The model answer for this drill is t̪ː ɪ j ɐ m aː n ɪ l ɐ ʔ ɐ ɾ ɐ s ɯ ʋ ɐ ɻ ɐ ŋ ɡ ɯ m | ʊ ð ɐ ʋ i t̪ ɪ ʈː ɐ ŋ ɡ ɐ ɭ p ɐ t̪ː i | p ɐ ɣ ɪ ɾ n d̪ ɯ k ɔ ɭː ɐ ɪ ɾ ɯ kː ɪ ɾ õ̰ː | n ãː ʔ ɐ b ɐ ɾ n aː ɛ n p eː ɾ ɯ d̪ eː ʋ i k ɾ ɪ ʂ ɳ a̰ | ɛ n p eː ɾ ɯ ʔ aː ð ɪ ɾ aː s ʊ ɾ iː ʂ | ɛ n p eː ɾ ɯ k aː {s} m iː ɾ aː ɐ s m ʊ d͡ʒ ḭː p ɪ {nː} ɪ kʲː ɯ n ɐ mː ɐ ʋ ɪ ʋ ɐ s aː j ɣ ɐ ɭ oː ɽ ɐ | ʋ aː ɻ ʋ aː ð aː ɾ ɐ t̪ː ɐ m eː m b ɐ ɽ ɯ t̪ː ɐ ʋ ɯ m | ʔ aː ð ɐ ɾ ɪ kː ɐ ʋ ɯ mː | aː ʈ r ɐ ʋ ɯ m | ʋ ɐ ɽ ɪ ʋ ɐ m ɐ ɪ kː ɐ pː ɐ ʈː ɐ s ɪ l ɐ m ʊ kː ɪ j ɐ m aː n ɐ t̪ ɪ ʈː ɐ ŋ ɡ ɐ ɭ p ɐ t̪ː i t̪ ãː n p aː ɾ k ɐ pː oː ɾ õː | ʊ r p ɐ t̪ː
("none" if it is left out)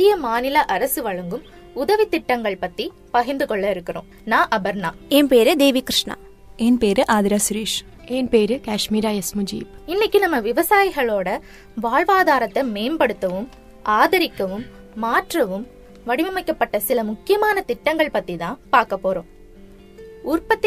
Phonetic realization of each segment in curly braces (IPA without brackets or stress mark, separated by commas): ʂ, nː